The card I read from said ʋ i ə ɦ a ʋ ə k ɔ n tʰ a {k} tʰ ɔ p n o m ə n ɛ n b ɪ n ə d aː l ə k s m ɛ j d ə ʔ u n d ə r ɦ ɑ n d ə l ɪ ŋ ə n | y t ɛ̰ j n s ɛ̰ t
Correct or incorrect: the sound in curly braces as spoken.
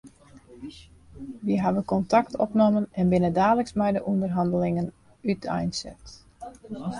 correct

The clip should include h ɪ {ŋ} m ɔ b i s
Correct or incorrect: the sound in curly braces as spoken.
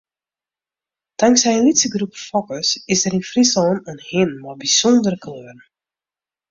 incorrect: n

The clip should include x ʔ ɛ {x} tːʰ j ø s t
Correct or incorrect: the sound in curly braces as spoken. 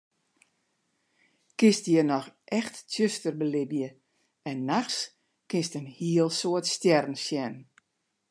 correct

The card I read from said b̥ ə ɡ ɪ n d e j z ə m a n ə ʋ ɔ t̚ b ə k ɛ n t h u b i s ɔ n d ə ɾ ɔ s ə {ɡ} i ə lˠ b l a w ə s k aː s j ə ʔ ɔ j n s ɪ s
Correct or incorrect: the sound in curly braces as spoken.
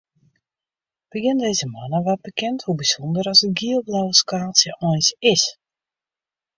correct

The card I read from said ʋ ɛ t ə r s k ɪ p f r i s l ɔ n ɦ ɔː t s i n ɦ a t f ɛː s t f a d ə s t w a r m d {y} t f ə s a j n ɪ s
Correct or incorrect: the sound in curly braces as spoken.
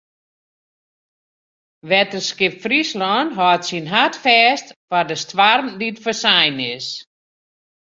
incorrect: i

